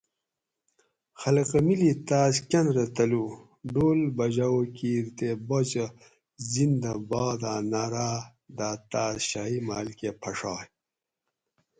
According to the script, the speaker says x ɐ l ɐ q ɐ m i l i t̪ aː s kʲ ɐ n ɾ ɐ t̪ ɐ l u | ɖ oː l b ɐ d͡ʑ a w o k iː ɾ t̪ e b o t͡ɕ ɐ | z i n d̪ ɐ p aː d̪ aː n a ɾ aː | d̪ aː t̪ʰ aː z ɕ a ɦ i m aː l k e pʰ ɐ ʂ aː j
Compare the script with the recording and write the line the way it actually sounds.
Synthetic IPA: x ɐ l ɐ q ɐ m i l i t̪ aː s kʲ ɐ n ɾ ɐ t̪ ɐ l u | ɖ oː l b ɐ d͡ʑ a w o k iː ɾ t̪ e b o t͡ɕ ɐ | z i n d̪ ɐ b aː d̪ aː n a ɾ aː | d̪ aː t̪ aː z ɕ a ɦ i m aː l k e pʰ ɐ ʂ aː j